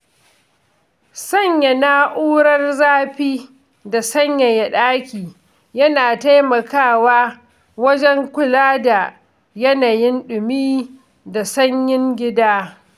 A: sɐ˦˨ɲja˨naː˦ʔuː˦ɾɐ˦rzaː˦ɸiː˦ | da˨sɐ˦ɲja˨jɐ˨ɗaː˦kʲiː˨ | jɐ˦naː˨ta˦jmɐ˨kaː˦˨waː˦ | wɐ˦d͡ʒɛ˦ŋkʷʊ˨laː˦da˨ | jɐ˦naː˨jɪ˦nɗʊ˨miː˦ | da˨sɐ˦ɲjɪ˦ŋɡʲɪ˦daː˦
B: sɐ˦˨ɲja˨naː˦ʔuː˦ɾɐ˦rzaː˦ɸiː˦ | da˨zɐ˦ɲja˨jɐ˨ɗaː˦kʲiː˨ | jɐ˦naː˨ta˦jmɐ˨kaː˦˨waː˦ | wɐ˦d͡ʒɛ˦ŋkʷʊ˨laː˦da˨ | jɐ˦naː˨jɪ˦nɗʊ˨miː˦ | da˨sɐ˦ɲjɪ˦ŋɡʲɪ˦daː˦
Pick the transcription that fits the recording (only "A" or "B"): A